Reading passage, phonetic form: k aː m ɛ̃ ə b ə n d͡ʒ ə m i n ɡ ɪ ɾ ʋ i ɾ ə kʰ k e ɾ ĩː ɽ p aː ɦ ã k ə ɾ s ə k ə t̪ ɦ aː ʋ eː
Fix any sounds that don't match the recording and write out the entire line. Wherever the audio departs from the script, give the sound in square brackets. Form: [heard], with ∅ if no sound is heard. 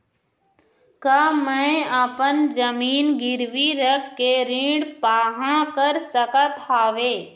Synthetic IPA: k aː m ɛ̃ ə [p] ə n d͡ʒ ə m [iː] n ɡ ɪ ɾ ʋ i ɾ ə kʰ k e ɾ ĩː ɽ p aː ɦ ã k ə ɾ s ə k ə t̪ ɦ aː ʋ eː